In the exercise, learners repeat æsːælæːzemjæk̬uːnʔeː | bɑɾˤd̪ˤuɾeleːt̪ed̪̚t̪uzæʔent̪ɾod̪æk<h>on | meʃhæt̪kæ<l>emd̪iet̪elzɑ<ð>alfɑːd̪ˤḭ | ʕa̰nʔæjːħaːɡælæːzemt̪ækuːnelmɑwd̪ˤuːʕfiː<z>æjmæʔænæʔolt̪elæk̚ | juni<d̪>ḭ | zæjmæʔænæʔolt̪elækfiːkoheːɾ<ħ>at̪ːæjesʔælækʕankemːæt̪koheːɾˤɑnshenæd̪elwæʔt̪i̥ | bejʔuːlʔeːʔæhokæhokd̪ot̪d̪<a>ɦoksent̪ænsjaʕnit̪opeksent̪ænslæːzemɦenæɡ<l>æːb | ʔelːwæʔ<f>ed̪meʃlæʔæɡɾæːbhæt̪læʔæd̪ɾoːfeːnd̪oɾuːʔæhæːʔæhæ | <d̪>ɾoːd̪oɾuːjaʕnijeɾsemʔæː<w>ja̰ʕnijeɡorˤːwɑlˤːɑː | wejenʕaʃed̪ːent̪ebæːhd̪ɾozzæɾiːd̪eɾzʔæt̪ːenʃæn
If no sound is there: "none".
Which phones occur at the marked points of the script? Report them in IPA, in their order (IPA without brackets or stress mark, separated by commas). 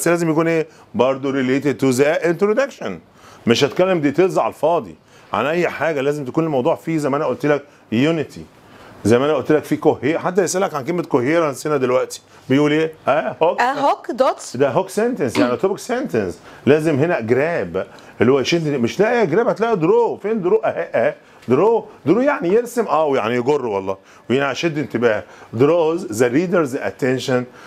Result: ʃ, lː, ʕ, z, t̪, ħ, æ, ɾ, ʃ, d̪, w